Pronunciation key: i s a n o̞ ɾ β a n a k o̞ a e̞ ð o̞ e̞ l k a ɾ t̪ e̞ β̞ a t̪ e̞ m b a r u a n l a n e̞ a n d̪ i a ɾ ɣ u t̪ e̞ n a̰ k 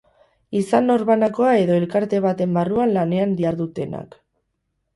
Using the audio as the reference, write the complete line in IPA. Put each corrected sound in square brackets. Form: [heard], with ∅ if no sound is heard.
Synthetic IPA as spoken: i s a n o̞ ɾ β a n a k o̞ a e̞ ð o̞ e̞ l k a ɾ t̪ e̞ β̞ a t̪ e̞ m b a r u a n l a n e̞ a n d̪ i a ɾ [ð] u t̪ e̞ n a̰ k